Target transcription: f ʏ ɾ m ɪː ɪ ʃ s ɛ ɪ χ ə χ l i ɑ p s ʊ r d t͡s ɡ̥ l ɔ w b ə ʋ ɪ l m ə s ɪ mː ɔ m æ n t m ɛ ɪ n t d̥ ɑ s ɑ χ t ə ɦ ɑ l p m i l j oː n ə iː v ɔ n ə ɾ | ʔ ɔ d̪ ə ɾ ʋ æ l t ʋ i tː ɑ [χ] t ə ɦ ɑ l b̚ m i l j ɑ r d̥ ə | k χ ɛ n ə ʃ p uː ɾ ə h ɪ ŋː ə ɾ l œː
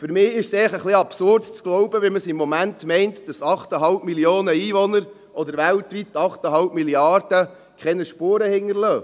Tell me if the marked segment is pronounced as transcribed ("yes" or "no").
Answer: yes